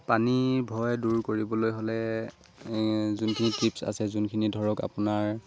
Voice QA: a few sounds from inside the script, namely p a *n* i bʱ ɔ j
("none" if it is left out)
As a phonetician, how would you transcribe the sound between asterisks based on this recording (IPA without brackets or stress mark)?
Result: n